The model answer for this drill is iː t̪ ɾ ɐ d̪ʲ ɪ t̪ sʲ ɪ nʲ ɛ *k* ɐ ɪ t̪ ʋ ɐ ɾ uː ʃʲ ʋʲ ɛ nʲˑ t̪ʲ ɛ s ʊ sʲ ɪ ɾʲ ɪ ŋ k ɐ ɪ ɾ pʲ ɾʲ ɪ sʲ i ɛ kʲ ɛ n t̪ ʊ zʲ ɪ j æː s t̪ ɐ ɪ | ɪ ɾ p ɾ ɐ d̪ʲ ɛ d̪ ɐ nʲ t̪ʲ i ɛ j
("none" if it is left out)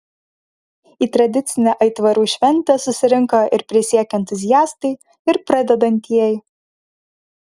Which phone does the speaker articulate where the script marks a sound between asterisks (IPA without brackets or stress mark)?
ʔ